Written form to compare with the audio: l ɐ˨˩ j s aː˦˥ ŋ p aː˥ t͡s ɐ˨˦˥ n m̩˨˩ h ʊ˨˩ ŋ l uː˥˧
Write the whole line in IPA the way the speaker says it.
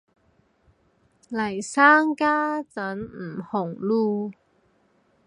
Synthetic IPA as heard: l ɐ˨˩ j s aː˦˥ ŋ k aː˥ t͡s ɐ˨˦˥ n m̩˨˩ h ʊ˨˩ ŋ l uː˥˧